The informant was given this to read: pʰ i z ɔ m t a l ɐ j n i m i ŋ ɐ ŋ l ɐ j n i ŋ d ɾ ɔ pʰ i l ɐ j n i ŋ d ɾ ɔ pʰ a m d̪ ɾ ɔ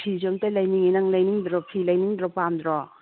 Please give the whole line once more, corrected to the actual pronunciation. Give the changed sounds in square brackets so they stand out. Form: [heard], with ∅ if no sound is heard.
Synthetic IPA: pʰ i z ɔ m t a l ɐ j n i [ŋ] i [n] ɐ ŋ l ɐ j n i ŋ d ɾ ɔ pʰ i l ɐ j n i ŋ d ɾ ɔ [p] a m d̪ ɾ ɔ